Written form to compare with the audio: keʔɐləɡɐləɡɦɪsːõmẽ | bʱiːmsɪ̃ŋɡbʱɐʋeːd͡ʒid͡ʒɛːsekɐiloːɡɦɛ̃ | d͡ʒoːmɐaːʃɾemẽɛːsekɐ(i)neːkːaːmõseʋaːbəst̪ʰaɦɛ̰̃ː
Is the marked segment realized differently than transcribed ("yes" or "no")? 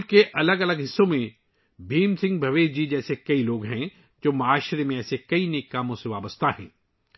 no